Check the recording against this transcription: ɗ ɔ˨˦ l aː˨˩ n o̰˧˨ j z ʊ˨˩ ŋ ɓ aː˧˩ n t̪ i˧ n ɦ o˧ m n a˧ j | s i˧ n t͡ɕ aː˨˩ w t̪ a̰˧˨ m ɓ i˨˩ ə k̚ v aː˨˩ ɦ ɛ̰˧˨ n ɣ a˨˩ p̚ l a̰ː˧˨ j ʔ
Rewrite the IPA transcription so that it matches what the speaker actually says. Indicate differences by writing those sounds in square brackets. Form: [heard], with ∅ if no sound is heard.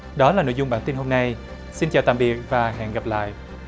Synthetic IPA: ɗ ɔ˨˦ l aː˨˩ n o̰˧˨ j z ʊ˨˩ [ŋ͡m] ɓ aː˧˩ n t̪ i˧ n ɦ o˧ m n a˧ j | s i˧ n t͡ɕ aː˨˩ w t̪ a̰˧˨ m ɓ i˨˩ ə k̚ v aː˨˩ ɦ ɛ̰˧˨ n ɣ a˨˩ p̚ l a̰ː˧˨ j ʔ